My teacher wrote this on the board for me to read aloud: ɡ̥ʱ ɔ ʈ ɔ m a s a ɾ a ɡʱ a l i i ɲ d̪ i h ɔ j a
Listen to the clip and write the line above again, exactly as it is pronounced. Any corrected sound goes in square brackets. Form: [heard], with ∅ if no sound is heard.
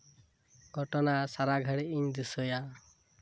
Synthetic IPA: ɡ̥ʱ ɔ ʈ ɔ [n] a s a ɾ a ɡʱ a [ɽ] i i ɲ d̪ i [s] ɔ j a